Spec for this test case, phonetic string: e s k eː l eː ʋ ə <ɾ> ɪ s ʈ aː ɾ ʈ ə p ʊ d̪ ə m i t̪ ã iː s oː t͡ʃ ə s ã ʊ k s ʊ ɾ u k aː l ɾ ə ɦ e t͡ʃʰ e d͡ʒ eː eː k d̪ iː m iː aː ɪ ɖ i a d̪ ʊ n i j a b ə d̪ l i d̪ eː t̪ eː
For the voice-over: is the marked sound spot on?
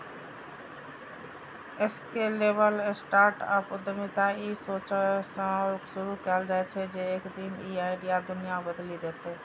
no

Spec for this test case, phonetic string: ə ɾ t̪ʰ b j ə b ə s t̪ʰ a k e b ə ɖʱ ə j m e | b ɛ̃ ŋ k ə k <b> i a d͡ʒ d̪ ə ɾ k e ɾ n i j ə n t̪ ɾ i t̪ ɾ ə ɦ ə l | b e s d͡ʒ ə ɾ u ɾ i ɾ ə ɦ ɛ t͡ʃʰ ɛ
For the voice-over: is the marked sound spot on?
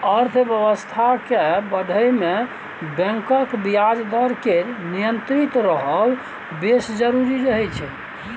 yes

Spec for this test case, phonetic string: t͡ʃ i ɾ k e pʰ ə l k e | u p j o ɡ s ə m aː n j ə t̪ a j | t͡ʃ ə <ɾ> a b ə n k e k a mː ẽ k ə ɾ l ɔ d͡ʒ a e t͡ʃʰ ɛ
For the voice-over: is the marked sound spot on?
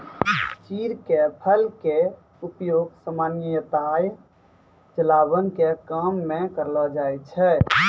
no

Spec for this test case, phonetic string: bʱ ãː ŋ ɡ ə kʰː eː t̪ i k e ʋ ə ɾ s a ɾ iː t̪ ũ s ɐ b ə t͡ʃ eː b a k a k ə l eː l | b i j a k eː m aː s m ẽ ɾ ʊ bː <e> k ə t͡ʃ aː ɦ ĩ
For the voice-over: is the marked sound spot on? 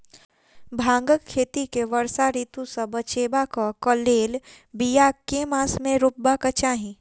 no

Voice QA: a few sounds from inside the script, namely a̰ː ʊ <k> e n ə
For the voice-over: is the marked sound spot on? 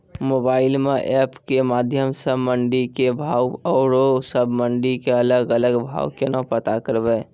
yes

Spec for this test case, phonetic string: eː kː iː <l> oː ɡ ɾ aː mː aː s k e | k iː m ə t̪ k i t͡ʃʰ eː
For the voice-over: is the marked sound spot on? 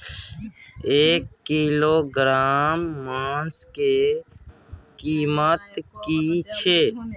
yes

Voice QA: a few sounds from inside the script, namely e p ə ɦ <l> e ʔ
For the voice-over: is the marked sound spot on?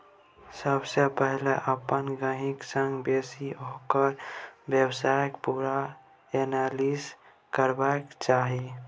yes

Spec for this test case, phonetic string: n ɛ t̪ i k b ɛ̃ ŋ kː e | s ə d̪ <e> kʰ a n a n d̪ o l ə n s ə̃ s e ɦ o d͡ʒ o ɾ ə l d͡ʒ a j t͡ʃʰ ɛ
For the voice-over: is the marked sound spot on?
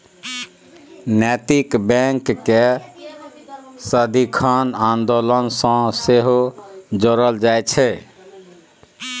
no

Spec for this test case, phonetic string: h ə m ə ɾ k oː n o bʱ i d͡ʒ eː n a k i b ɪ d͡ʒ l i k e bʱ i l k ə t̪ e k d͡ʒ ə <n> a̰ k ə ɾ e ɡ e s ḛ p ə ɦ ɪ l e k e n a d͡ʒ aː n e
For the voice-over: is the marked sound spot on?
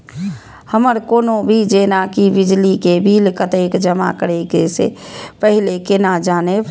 no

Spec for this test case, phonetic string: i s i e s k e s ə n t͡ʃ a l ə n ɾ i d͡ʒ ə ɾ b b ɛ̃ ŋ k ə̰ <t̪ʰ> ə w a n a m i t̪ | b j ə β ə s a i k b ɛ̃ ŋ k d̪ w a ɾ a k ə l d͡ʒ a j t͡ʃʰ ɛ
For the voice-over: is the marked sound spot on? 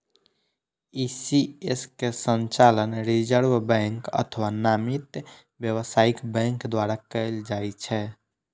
yes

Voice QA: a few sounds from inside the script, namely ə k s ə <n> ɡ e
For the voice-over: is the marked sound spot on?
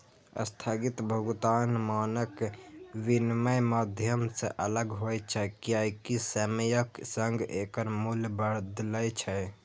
no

